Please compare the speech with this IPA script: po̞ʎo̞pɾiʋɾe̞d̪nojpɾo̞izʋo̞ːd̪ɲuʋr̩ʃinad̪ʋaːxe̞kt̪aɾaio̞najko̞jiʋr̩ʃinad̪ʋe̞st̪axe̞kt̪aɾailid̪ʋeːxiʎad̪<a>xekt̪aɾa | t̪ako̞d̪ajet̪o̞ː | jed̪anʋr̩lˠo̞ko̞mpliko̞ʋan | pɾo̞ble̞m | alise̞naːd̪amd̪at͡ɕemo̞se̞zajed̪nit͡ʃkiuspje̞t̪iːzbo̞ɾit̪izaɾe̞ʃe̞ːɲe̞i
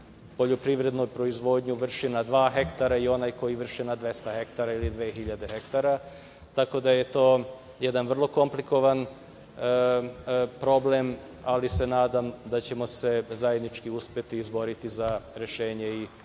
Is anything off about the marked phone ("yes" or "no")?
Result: yes